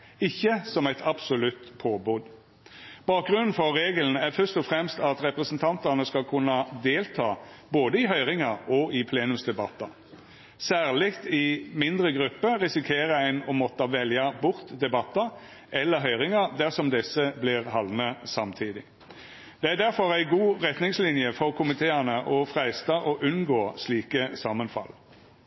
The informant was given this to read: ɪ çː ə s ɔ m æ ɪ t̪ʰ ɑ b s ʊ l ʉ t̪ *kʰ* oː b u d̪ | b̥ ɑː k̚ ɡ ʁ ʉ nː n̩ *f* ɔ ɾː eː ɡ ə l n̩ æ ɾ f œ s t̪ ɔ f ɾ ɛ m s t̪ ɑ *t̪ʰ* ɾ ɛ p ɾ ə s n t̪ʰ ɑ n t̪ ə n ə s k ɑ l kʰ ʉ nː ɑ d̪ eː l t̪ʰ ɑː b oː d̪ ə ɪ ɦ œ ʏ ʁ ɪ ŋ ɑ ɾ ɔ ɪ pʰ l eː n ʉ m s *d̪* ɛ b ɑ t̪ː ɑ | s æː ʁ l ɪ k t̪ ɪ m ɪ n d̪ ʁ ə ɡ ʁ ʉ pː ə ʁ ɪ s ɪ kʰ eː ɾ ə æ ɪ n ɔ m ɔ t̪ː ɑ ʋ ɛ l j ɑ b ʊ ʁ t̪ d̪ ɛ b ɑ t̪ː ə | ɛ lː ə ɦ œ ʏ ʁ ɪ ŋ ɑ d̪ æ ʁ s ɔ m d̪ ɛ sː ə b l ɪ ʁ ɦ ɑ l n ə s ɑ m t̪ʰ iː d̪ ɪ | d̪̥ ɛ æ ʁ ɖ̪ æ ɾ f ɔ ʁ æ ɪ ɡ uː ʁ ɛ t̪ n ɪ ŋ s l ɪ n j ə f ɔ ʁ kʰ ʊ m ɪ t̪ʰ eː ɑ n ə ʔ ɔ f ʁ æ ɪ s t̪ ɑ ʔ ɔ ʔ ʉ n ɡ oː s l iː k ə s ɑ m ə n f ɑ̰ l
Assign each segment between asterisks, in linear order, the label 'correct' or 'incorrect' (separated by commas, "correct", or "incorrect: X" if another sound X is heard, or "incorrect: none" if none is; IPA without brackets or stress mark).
incorrect: pʰ, correct, incorrect: t̪, correct